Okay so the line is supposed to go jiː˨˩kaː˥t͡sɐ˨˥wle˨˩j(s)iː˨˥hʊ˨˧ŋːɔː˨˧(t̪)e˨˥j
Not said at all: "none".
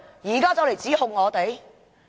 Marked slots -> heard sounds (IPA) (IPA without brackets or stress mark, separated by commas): t͡s, t̪